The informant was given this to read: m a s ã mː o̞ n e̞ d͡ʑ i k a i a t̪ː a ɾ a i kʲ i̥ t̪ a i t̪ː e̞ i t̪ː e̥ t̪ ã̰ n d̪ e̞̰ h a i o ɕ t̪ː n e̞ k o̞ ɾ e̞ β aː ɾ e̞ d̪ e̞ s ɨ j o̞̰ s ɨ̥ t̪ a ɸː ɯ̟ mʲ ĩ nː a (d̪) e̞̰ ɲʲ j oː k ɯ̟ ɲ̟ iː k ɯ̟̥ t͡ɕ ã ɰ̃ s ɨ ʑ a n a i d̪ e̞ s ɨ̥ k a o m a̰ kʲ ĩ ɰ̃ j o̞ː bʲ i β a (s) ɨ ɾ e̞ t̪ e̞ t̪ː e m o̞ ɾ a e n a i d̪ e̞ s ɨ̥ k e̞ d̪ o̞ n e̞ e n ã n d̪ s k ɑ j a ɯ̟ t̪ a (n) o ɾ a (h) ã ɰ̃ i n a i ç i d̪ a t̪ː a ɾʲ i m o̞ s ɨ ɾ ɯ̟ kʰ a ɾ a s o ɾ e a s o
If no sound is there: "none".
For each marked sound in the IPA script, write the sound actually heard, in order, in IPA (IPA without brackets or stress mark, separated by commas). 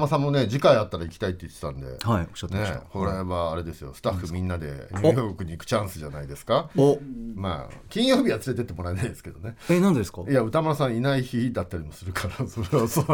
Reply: d̪, t͡s, m, s